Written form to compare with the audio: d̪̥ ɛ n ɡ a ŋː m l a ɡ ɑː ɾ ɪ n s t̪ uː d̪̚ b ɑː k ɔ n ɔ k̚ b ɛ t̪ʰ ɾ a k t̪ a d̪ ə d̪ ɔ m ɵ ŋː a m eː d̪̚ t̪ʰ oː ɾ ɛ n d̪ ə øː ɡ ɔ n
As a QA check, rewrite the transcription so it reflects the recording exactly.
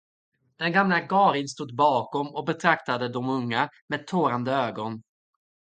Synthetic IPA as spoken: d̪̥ ɛ n ɡ a m l a ɡ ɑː ɾ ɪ n s t̪ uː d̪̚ b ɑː k ɔ m ɔ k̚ b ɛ t̪ʰ ɾ a k t̪ a d̪ ə d̪ ɔ m ɵ ŋː a m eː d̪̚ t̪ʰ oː ɾ a n d̪ ə øː ɡ ɔ n

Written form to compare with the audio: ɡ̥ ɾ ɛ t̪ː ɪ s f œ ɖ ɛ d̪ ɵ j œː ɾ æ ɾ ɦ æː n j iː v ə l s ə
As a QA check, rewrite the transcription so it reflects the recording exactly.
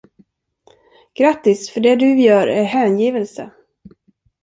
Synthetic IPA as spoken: ɡ̥ ɾ a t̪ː ɪ s f œ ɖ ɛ d̪ ɵ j œː ɾ æ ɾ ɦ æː n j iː v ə l s ə

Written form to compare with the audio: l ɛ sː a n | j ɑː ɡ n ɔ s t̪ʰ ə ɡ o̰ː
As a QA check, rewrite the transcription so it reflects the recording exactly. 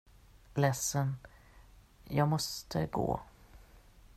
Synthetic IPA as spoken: l ɛ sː ə n | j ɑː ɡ m ɔ s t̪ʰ ə ɡ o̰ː

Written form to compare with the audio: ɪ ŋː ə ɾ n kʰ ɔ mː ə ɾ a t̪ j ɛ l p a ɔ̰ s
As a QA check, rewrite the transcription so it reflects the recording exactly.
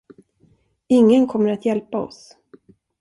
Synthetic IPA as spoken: ɪ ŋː ə n kʰ ɔ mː ə ɾ a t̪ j ɛ l p a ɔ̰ s

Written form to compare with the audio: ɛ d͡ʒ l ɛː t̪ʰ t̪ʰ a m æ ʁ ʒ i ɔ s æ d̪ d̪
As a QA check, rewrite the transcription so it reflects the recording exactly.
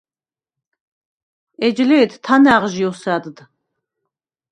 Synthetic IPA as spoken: ɛ d͡ʒ l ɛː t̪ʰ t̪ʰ a n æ ʁ ʒ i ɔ s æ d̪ d̪

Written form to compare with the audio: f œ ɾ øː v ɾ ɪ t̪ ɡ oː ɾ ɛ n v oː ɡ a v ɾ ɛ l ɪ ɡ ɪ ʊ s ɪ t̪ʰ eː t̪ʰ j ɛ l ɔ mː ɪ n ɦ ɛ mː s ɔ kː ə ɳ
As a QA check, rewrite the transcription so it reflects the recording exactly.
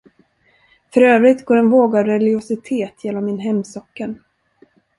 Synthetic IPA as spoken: f œ ɾ øː v ɾ ɪ t̪ ɡ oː ɾ ɛ n v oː ɡ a v ɾ ɛ l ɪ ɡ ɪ ʊ s ɪ t̪ʰ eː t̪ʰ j ɛ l ɔ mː ɪ n ɦ ɛ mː s ɔ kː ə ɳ

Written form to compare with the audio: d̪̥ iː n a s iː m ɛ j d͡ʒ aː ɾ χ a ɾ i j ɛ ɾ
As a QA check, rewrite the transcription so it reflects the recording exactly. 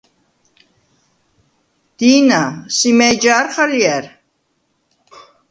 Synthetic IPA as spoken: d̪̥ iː n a s i m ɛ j d͡ʒ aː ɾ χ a l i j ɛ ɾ

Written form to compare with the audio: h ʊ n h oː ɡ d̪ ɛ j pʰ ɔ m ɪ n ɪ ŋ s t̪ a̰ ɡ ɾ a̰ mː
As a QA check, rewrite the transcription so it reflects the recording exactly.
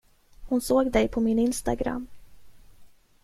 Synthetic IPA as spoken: h ʊ n s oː ɡ d̪ ɛ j pʰ ɔ m ɪ n ɪ n s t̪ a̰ ɡ ɾ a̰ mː

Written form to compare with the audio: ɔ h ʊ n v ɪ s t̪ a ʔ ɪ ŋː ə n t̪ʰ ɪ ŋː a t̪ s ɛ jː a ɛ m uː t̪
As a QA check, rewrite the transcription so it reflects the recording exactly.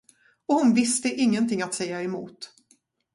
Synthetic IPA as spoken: ɔ h ʊ n v ɪ s t̪ ə ʔ ɪ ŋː ə n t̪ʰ ɪ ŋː a t̪ s ɛ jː a ɛ m uː t̪

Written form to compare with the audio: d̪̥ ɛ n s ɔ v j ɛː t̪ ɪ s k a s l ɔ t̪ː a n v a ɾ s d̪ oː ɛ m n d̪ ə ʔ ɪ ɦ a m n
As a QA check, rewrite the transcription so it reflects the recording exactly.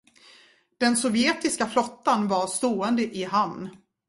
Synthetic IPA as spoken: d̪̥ ɛ n s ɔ v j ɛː t̪ ɪ s k a f l ɔ t̪ː a n v a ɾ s t̪ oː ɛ n d̪ ə ʔ ɪ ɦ a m n

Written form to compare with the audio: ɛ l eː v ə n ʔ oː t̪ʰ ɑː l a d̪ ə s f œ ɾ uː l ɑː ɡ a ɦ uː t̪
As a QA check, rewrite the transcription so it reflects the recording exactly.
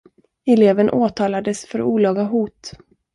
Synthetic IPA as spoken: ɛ l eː v ə n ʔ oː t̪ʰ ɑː l a d̪ ə s f œ ɾ uː l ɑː ɡ a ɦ uː t̪

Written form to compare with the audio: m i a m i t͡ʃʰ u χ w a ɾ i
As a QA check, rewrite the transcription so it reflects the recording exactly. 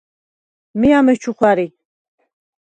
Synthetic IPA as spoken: m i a m ɛ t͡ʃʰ u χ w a ɾ i

